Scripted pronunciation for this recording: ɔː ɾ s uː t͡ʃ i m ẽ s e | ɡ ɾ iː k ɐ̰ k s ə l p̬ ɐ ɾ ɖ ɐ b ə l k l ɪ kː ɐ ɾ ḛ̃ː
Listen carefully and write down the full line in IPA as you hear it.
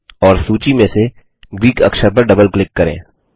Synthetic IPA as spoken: ɔː ɾ s uː t͡ʃ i m ẽ s e | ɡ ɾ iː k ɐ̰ k ʃ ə ɾ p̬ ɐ ɾ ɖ ɐ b ə l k l ɪ kː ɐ ɾ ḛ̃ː